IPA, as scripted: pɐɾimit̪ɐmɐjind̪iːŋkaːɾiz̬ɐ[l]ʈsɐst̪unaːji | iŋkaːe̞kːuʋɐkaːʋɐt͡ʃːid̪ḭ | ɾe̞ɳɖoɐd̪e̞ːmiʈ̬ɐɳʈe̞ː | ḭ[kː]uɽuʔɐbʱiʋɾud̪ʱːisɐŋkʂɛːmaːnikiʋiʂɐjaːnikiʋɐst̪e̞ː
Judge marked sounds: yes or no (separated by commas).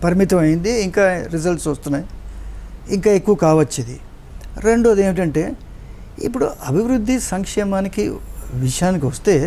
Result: yes, no